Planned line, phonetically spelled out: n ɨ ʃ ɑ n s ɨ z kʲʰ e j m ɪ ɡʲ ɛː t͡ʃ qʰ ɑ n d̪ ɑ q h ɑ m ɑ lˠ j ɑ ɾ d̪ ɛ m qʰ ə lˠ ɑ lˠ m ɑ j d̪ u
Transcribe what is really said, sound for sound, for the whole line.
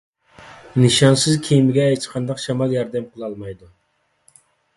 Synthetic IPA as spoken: n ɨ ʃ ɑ n s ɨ z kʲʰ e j m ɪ ɡʲ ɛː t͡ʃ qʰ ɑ n d̪ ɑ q ʃ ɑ m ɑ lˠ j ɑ ɾ d̪ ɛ m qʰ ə lˠ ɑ lˠ m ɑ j d̪ u